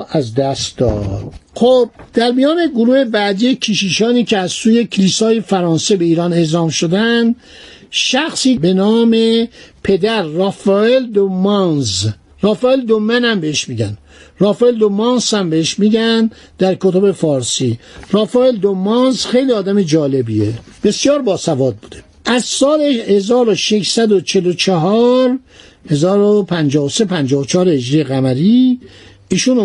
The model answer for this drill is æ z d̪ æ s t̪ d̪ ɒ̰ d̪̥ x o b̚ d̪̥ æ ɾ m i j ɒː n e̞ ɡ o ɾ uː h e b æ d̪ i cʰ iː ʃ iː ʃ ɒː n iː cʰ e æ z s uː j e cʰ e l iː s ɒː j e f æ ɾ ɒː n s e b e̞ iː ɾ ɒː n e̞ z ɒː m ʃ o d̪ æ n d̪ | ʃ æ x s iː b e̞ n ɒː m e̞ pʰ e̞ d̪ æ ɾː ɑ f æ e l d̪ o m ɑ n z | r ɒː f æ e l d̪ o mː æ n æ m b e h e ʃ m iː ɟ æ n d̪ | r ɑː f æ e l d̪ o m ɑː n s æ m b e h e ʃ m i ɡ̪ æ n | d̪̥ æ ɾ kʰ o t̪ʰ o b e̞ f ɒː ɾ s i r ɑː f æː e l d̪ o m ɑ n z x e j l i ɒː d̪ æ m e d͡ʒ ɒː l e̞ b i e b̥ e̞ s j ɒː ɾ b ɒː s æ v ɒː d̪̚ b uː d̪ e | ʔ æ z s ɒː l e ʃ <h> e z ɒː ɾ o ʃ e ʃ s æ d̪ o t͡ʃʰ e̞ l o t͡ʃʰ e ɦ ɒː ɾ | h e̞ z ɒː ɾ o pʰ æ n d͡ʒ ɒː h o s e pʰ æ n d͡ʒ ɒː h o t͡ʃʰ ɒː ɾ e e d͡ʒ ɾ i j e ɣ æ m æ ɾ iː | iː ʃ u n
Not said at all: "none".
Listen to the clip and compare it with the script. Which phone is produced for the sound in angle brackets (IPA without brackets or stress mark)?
h